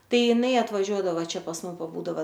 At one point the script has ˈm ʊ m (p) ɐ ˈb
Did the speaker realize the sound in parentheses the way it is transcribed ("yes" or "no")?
yes